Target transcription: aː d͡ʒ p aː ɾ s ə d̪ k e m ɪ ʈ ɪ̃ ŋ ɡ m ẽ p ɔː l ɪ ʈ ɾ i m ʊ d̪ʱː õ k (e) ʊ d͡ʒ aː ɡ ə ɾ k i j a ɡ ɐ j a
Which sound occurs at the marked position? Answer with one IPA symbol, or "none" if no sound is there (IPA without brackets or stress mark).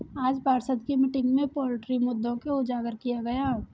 e